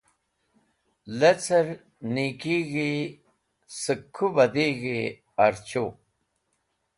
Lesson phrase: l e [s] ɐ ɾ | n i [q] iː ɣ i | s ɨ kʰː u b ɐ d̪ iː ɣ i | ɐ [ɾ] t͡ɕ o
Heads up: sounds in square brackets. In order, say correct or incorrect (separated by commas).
incorrect, incorrect, correct